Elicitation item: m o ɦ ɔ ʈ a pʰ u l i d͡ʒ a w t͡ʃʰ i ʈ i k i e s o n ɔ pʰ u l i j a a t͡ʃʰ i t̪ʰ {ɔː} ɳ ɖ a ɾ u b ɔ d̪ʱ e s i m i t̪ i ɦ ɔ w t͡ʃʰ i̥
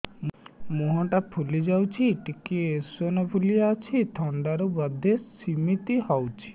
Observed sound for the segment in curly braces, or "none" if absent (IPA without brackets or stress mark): ɔ